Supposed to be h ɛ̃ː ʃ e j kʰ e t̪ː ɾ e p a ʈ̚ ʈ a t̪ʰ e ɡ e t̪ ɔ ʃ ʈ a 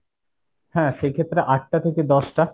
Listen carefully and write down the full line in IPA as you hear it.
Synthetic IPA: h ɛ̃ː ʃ e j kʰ e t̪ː ɾ e ʔ a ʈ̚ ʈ a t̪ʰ e k e d̪ ɔ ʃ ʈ a

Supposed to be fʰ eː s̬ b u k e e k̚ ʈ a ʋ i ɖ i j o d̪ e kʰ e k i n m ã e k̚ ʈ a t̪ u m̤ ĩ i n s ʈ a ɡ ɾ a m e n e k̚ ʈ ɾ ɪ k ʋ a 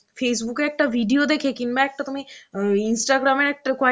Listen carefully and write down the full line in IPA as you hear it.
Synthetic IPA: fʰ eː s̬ b u k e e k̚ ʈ a ʋ i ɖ i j o d̪ e kʰ e k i n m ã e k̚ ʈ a t̪ u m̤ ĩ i n s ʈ a ɡ ɾ a m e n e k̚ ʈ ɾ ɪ k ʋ a

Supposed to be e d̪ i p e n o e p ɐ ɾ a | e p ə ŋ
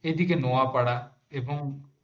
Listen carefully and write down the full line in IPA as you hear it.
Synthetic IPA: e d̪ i k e n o a p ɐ ɽ a | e b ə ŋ

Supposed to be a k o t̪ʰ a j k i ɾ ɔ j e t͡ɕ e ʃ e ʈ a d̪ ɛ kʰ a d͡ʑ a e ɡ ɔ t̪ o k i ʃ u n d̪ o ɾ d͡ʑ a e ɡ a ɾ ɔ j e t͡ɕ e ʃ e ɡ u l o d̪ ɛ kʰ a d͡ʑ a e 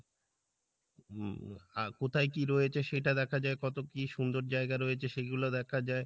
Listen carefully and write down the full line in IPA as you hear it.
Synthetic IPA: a k o t̪ʰ a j k i ɾ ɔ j e t͡ɕʰ e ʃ e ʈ a d̪ ɛ kʰ a d͡ʑ a e k ɔ t̪ o k i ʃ u n d̪ o ɾ d͡ʑ a e ɡ a ɾ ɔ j e t͡ɕʰ e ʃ e ɡ u l o d̪ ɛ kʰ a d͡ʑ a e

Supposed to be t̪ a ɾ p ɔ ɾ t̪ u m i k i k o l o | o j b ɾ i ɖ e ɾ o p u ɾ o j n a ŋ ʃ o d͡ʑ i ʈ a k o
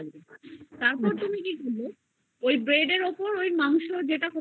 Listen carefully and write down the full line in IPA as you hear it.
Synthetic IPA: t̪ a ɾ p ɔ ɾ t̪ u m i k i k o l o | o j b ɾ e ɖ e ɾ o p o ɾ o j m a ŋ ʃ o d͡ʑ e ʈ a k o

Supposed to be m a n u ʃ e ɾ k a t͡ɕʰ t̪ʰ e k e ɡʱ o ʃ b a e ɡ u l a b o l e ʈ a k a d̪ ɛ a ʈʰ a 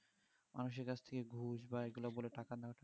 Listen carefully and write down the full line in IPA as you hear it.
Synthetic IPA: m a n u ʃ e ɾ k a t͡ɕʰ t̪ʰ e k e ɡʱ u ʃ b a e ɡ u l a b o l e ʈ a k a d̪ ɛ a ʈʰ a

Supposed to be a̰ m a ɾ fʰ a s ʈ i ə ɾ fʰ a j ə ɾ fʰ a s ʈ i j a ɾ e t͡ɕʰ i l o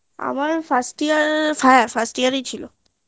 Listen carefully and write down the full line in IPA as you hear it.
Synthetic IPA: a̰ m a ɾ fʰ a s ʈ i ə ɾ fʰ a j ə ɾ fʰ a s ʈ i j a ɾ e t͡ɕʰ i l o

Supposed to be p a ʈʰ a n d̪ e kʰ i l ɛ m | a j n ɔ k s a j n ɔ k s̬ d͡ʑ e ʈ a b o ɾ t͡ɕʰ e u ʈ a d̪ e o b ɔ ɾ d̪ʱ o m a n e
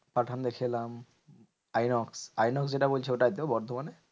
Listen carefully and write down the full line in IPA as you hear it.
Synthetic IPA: p a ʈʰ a n d̪ e kʰ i l a m | a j n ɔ k s a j n ɔ k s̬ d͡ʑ e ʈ a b o l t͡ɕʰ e o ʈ a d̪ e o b ɔ ɾ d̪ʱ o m a n e

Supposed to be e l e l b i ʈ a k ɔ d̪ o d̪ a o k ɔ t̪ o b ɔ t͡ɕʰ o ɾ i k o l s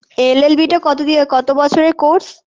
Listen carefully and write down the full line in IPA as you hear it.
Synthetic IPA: e l e l b i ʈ a k ɔ t̪ o d̪ i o k ɔ t̪ o b ɔ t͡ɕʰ o ɾ e k o ɾ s

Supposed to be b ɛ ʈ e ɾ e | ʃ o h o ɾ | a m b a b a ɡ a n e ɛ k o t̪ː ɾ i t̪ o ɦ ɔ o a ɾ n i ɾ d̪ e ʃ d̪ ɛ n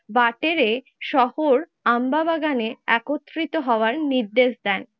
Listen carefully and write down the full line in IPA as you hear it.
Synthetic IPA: b a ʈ e ɾ e | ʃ ɔ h o ɾ | a m b a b a ɡ a n e ɛ k o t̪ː ɾ i t̪ o ɦ ɔ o a ɾ n i ɾ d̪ e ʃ d̪ ɛ n

